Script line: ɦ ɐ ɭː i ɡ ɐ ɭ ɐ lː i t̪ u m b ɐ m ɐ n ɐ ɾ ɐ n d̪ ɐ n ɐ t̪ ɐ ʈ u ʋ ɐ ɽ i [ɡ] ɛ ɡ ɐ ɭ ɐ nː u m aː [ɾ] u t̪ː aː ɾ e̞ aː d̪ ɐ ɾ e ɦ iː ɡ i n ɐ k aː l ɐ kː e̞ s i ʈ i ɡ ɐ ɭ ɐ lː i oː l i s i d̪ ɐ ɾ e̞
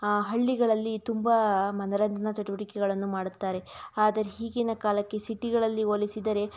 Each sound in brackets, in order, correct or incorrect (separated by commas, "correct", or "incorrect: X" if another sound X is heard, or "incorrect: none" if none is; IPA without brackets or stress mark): incorrect: k, incorrect: ɽ